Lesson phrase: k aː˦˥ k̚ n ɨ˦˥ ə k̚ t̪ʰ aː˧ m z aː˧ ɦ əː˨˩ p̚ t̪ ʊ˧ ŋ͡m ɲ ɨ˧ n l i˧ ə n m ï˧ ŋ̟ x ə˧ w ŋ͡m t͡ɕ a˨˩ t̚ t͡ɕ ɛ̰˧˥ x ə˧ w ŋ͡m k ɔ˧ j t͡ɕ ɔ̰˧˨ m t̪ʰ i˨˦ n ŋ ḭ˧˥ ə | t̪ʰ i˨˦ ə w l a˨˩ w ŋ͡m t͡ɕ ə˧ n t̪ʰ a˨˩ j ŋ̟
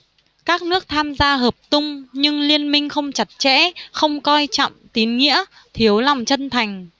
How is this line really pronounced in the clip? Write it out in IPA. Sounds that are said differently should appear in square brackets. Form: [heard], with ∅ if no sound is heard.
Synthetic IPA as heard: k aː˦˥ k̚ n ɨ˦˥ ə k̚ t̪ʰ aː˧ m z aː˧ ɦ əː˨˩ p̚ t̪ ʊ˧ ŋ͡m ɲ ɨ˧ [ŋ] l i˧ ə n m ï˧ ŋ̟ x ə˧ w ŋ͡m t͡ɕ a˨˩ t̚ t͡ɕ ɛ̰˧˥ x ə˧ w ŋ͡m k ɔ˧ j t͡ɕ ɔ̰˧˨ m [t̪] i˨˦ n ŋ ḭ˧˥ ə | t̪ʰ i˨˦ ə w l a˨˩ w ŋ͡m t͡ɕ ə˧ n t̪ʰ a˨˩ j ŋ̟